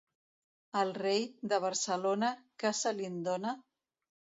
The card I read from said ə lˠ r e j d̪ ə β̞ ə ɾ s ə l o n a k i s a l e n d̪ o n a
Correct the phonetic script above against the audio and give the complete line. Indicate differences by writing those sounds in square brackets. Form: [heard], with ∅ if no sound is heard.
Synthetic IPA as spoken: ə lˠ r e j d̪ ə β̞ ə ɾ s ə l o n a k [a] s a l [i] n d̪ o n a